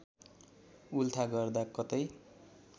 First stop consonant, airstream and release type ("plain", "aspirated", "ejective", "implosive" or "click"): aspirated